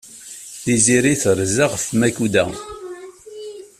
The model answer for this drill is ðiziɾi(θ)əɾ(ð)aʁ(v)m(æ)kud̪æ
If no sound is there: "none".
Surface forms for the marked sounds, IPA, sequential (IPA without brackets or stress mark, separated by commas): θ, z, f, æ